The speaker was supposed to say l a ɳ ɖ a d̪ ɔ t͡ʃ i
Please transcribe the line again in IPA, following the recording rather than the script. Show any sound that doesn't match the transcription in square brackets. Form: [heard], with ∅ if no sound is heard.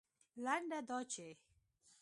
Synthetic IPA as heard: l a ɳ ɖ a d̪ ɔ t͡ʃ [e]